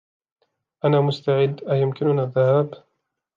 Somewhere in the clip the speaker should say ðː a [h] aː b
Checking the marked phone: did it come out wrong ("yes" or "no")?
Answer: no